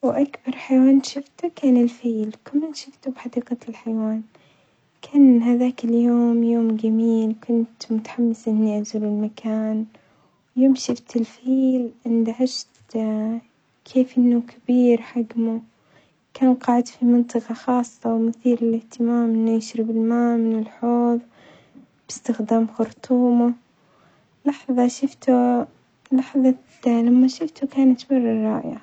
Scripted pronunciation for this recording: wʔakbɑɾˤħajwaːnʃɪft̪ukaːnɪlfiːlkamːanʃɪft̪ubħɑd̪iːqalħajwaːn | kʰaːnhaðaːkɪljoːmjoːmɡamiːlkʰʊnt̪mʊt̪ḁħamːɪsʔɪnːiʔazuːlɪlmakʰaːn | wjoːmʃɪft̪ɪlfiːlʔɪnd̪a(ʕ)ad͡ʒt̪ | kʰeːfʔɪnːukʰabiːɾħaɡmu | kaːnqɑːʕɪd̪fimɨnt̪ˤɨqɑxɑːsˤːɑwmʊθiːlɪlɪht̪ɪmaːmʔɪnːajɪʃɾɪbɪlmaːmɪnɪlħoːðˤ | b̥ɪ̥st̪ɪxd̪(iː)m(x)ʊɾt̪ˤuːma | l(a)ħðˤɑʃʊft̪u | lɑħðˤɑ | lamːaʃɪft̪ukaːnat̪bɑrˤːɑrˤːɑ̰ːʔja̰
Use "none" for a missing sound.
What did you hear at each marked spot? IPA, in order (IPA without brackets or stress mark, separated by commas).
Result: ʕ, aː, x, ɑ